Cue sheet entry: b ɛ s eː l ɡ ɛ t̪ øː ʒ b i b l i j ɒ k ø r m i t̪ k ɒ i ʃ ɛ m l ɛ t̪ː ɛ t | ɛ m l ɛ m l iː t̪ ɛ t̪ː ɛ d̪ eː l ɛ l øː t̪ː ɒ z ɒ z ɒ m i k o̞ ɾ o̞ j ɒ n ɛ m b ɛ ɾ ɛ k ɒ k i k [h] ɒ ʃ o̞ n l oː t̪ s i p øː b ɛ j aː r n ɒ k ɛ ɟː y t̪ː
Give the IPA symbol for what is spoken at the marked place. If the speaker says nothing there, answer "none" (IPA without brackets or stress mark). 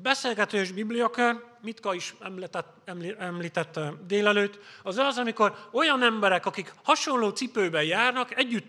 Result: h